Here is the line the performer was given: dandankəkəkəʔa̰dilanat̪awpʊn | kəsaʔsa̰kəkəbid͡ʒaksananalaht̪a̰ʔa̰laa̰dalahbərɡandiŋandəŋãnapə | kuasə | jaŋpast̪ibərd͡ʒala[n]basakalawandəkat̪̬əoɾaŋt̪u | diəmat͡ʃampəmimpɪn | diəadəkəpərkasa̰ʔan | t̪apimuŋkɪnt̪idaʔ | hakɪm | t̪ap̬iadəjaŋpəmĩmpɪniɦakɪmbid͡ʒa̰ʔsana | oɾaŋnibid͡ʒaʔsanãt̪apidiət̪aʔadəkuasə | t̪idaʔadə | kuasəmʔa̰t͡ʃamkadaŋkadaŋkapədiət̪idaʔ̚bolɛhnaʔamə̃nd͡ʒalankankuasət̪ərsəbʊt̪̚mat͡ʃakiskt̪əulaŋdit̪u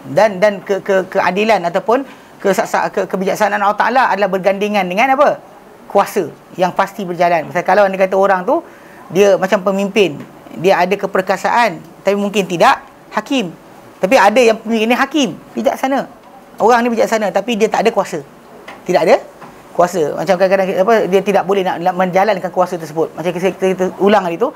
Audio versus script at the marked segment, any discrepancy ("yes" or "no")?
no